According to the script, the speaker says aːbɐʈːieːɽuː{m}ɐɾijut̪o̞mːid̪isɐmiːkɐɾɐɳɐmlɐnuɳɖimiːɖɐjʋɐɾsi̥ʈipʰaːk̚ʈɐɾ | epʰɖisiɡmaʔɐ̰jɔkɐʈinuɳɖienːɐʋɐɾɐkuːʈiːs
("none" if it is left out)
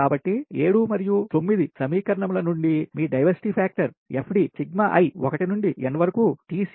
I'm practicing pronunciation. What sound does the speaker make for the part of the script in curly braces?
m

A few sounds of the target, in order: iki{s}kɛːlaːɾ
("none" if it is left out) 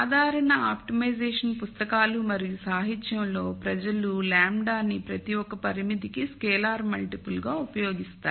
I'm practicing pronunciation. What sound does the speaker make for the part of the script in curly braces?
s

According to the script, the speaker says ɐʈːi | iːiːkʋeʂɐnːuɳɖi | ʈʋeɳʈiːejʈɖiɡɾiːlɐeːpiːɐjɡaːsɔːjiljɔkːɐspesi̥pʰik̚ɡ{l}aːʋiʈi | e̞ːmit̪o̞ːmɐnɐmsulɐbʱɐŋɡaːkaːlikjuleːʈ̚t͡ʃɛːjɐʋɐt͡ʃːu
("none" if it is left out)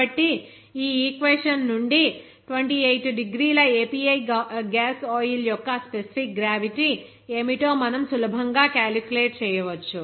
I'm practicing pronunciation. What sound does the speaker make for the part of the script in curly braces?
ɾ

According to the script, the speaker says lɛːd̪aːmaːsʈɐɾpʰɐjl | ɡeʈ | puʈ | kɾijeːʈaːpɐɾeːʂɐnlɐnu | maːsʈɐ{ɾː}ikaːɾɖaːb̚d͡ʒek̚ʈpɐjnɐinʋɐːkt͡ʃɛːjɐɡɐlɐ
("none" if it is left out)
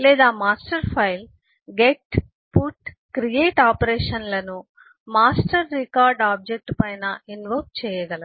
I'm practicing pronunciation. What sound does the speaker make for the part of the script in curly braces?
ɾː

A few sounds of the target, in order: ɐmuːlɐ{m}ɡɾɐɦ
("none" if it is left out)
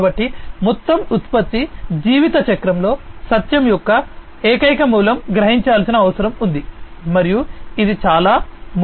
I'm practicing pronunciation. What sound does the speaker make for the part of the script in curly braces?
m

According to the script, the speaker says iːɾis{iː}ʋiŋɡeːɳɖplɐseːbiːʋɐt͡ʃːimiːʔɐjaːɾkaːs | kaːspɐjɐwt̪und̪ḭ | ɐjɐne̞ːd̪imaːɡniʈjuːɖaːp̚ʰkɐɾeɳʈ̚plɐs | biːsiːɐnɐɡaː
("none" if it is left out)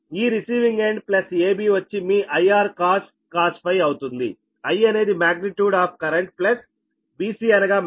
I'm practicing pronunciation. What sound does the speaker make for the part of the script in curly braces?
iː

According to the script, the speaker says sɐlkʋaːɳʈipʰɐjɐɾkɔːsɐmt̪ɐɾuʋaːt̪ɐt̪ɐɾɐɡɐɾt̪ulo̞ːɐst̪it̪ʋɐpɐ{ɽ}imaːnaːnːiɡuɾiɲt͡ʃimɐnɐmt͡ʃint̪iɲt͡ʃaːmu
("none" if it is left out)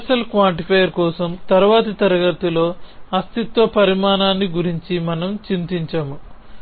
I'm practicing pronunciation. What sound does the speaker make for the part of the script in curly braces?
ɾ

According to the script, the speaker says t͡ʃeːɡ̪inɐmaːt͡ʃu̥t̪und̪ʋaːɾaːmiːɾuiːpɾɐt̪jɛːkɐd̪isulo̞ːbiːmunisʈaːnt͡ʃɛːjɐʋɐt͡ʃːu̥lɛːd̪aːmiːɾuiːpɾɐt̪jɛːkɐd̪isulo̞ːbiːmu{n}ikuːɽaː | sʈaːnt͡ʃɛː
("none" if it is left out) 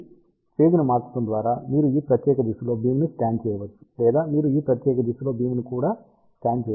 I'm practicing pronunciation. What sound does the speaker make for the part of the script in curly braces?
n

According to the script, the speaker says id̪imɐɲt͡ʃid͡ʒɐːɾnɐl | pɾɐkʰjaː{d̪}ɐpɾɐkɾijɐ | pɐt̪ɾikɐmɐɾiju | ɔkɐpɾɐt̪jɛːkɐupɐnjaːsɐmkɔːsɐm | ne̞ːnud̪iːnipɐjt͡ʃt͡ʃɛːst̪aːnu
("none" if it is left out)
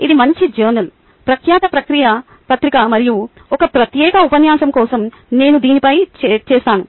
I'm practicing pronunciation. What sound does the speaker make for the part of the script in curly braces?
t̪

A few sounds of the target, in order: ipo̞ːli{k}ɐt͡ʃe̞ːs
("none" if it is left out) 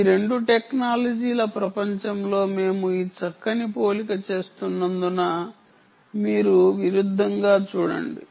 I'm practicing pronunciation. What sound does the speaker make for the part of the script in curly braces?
k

